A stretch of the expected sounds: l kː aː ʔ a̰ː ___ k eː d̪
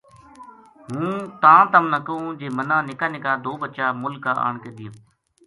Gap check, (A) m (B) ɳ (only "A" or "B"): B